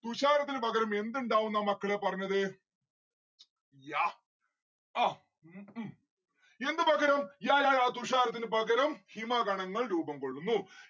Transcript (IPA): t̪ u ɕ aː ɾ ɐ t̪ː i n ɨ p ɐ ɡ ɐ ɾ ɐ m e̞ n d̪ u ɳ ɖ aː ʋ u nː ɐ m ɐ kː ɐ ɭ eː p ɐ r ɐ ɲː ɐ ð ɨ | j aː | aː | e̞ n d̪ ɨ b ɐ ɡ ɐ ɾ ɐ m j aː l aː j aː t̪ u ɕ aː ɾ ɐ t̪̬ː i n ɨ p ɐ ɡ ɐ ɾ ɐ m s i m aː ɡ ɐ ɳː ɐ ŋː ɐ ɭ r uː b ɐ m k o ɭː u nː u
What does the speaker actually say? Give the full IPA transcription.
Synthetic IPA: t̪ u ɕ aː ɾ ɐ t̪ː i n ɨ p ɐ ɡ ɐ ɾ ɐ m e̞ n d̪ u ɳ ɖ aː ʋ u nː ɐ m ɐ kː ɐ ɭ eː p ɐ r ɐ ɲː ɐ ð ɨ | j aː | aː | e̞ n d̪ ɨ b ɐ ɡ ɐ ɾ ɐ m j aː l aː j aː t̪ u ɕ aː ɾ ɐ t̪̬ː i n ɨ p ɐ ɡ ɐ ɾ ɐ m h i m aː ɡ ɐ ɳ ɐ ŋː ɐ ɭ ɾ uː b ɐ m k o ɭː u nː u

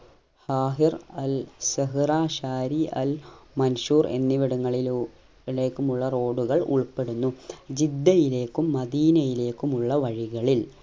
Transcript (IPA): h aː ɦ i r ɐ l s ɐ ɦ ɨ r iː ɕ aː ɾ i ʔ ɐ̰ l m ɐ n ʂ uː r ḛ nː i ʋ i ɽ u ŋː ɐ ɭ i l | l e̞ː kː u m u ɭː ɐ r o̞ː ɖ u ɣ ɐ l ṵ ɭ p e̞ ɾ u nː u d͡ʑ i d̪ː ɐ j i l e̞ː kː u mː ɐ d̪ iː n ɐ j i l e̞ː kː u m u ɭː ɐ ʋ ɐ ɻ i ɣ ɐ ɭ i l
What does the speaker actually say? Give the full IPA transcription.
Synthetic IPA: h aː ɦ i r ɐ l s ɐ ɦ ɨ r aː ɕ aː ɾ i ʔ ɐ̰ l m ɐ n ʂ uː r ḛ nː i ʋ i ɽ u ŋː ɐ ɭ i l | l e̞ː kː u m u ɭː ɐ r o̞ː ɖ u ɣ ɐ ɭ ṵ ɭ p e̞ ɽ u nː u d͡ʑ i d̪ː ɐ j i l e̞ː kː u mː ɐ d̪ iː n ɐ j i l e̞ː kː u m u ɭː ɐ ʋ ɐ ɻ i ɣ ɐ ɭ i l

